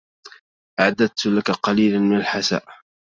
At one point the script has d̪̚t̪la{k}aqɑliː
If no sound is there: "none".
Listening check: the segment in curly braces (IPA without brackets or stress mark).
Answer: k